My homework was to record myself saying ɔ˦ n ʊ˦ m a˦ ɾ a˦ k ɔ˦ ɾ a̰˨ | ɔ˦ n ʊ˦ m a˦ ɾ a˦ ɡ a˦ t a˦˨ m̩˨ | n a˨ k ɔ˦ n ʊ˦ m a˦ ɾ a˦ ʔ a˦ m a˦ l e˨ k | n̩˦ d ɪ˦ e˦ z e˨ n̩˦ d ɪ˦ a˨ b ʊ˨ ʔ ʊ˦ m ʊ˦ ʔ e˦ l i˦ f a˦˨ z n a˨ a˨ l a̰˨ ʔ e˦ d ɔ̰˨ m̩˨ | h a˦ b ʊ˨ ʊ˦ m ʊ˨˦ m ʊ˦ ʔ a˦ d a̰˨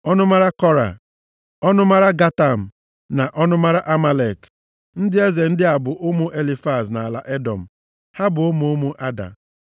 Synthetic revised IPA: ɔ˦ n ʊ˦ m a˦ ɾ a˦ k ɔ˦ ɾ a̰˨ | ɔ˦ n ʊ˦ m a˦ ɾ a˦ ɡ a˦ t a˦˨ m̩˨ | n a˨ ʔ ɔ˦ n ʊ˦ m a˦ ɾ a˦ ʔ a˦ m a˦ l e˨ k | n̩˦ d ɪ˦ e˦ z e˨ n̩˦ d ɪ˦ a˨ b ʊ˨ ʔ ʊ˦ m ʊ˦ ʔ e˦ l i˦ f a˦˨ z n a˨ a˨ l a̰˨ ʔ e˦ d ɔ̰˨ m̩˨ | h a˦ b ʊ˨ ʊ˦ m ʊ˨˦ m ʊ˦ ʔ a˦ d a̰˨